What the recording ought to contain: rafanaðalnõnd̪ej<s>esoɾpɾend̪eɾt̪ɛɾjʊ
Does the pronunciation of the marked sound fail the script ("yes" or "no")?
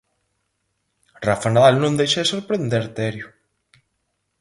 yes